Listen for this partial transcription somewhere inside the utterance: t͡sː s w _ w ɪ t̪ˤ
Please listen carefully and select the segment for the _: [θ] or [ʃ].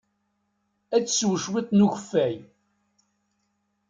ʃ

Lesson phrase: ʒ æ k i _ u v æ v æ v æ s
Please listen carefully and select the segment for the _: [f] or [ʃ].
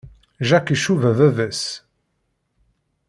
ʃ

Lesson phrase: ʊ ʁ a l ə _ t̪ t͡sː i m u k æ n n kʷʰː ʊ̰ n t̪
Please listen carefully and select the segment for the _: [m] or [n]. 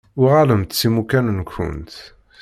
m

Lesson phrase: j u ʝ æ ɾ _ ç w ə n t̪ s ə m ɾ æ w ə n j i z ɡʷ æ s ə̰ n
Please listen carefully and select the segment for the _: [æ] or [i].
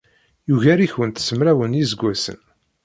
i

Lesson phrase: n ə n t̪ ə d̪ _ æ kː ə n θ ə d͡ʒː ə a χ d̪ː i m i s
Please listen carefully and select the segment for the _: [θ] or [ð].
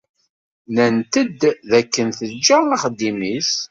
ð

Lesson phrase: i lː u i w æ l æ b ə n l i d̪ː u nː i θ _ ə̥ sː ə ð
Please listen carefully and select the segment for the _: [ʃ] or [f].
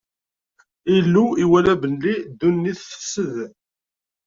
f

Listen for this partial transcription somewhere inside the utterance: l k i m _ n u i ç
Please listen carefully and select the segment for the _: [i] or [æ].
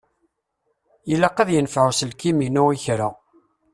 i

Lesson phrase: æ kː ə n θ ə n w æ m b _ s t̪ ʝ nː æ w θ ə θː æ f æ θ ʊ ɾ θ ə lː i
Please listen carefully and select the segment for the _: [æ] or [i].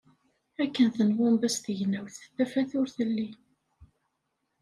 æ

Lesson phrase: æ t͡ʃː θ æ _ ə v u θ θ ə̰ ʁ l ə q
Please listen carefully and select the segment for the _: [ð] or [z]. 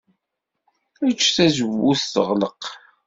z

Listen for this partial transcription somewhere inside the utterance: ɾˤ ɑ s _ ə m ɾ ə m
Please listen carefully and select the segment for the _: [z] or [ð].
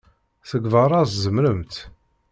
z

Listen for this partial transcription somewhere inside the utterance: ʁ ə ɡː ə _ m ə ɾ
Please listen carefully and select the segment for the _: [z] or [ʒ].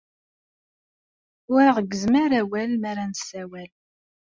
z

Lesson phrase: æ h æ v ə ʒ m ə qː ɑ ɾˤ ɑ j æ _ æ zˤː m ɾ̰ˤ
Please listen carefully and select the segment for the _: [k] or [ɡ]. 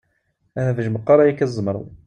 k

